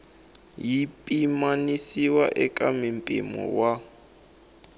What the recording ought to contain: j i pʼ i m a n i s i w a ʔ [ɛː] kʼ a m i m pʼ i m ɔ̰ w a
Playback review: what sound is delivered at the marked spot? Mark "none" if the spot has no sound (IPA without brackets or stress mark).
ɛ